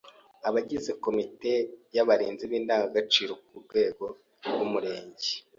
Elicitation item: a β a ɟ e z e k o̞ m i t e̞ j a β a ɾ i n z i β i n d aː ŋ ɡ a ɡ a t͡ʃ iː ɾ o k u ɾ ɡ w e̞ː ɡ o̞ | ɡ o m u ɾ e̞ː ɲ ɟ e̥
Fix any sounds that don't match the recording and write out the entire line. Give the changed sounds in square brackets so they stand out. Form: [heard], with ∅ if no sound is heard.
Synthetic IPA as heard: a β a ɟ [i] z e k o̞ m i t e̞ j a β a ɾ [iː] n z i β [iː] n d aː ŋ ɡ a ɡ a t͡ʃ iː ɾ o k u ɾ ɡ w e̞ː ɡ o̞ | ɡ [u] m u ɾ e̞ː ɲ ɟ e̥